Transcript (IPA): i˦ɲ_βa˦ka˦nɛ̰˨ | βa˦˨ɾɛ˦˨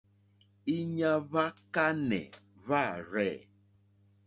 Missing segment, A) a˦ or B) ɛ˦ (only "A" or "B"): A